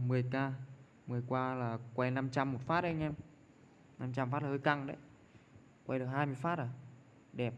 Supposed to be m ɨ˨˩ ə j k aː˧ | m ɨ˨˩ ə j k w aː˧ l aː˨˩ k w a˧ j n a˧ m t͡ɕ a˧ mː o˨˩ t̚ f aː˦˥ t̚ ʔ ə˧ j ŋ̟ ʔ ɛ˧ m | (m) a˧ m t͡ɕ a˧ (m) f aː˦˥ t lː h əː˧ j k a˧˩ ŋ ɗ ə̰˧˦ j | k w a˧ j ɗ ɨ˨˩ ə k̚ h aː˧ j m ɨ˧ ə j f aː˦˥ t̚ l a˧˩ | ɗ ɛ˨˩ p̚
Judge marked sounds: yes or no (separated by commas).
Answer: no, yes